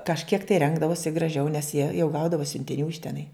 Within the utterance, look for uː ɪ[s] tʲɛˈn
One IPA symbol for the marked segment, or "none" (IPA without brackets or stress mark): ʃ